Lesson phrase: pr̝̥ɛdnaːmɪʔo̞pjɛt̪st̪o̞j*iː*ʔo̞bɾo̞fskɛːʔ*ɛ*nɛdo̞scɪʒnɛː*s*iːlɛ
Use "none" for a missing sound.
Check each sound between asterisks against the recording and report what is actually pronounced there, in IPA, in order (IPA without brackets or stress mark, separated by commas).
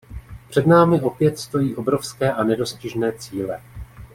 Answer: iː, a, t͡s